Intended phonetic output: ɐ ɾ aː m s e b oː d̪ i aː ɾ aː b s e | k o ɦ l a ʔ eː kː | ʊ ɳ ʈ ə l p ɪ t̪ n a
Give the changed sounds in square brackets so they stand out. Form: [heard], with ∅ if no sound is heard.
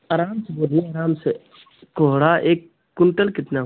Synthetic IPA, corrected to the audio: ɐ ɾ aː m s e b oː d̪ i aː ɾ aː [m] s e | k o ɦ [ɽ] a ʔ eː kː | ʊ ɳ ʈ ə l [k] ɪ t̪ n a